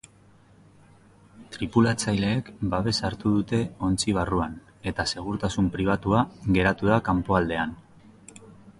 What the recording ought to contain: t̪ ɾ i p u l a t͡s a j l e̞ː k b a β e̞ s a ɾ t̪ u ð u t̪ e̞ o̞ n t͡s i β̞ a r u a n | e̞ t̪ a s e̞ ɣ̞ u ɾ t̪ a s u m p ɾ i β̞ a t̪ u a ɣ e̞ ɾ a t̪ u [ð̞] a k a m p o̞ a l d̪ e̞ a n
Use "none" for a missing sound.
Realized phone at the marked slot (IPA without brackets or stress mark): ð̞